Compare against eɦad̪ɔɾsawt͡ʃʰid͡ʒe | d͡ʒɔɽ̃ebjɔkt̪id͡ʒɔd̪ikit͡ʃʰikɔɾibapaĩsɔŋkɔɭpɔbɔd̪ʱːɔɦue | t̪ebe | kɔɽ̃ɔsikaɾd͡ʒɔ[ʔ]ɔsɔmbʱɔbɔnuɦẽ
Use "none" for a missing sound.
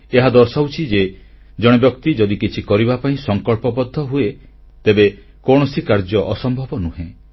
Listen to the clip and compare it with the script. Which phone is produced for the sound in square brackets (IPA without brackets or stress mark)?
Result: ʔ